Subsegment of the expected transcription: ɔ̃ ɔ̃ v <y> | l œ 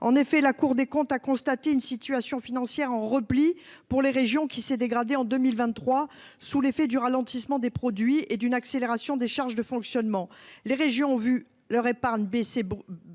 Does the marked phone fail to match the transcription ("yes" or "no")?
no